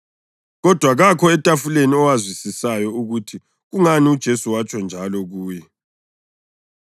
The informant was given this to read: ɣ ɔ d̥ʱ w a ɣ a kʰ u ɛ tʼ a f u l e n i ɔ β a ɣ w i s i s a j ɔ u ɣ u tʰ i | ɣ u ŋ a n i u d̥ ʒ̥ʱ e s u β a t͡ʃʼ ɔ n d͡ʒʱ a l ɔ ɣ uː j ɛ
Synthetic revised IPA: ɣ ɔ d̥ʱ w a ɣ a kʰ ɔ ɛ tʼ a f u l e n i ɔ w a z w i s i s a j ɔ u ɣ u tʰ i | ɣ u ŋ a n i u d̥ ʒ̥ʱ e s u w a t͡ʃʼ ɔ n d͡ʒʱ a l ɔ ɣ uː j ɛ